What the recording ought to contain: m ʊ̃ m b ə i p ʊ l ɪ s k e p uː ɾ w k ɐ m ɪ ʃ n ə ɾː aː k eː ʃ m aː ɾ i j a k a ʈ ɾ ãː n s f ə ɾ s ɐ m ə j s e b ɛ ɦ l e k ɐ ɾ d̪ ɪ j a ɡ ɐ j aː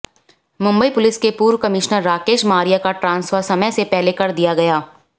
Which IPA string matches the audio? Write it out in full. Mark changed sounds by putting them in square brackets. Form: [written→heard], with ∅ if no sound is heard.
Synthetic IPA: m ʊ̃ m b ə i p ʊ l ɪ s k e p uː ɾ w k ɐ m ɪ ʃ n ə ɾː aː k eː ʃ m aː ɾ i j a k a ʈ ɾ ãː n s f ə ɾ s ɐ m ə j s e [b→p] ɛ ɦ l e k ɐ ɾ d̪ [ɪ→i] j a ɡ ɐ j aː